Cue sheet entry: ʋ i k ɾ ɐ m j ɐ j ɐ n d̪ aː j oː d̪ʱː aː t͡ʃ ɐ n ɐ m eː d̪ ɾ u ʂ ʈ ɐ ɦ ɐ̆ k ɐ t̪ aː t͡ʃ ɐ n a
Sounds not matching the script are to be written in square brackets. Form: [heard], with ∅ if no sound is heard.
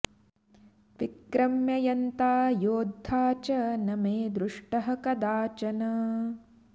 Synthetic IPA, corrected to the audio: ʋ i k ɾ ɐ m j ɐ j ɐ n [t̪] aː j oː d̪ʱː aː t͡ʃ ɐ n ɐ m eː d̪ ɾ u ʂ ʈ ɐ ɦ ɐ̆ k ɐ [d̪] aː t͡ʃ ɐ n [ɐ]